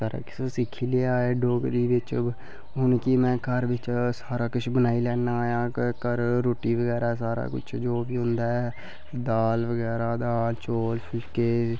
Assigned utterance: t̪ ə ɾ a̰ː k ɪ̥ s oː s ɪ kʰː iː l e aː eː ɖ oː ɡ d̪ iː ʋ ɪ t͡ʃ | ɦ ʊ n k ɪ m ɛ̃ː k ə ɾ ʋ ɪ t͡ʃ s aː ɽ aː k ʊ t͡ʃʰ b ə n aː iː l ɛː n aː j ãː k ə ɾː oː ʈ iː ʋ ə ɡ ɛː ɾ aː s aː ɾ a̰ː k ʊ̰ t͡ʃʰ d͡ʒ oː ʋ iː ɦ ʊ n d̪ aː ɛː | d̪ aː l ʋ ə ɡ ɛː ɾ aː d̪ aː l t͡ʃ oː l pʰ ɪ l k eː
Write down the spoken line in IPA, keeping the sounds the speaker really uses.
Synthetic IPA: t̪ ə ɾ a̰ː k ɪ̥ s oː s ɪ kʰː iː l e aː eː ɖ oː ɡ d̪ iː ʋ ɪ t͡ʃ | ɦ ʊ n k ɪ m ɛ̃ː k ə ɾ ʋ ɪ t͡ʃ s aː ɾ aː k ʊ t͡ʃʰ b ə n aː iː l ɛː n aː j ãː k ə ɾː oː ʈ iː ʋ ə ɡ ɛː ɾ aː s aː ɾ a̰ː k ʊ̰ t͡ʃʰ d͡ʒ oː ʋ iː ɦ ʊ n d̪ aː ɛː | d̪ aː l ʋ ə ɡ ɛː ɾ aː d̪ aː l t͡ʃ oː l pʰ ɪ l k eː